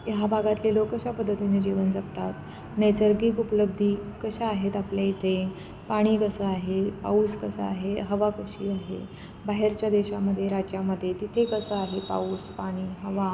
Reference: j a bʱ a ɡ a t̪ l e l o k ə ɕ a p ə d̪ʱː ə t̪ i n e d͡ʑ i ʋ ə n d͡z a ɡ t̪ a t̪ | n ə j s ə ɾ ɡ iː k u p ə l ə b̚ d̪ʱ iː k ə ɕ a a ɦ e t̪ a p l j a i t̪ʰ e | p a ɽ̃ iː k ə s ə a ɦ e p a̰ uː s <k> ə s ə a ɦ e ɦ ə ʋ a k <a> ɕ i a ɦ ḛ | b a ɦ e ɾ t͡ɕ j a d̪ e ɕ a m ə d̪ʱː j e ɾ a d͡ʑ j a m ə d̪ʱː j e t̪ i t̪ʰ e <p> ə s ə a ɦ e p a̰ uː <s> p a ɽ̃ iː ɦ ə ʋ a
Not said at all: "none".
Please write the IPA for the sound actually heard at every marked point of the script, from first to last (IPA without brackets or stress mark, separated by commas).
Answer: k, ə, k, s